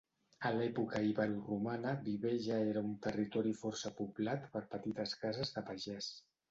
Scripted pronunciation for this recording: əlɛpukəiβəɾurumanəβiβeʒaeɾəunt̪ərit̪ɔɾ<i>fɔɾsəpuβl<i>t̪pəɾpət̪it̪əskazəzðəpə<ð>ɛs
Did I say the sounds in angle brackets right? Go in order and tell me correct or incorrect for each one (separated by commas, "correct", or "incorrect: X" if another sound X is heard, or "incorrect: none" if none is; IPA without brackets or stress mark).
correct, incorrect: a, incorrect: ʒ